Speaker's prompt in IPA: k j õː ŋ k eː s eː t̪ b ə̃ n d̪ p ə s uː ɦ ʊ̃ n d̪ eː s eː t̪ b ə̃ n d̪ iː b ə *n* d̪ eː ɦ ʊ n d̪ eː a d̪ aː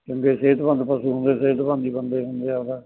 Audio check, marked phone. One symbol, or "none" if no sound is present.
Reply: n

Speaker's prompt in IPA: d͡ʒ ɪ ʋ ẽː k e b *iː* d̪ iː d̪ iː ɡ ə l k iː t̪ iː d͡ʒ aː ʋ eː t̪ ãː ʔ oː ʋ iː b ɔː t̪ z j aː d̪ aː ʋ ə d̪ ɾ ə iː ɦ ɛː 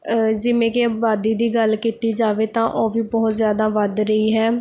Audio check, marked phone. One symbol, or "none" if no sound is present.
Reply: aː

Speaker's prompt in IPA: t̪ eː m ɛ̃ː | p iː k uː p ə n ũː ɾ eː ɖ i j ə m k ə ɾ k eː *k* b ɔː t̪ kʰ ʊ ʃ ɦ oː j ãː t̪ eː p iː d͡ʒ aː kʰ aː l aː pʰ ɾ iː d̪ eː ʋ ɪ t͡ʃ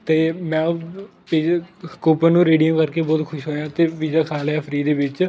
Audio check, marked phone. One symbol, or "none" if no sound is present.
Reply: none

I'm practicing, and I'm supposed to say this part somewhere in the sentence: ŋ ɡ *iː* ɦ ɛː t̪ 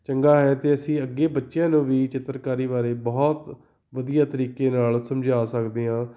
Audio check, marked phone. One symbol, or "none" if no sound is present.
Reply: aː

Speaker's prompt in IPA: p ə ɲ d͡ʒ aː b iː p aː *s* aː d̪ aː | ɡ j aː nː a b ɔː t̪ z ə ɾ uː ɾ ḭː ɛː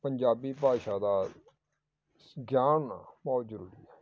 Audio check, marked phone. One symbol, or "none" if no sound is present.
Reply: ʃ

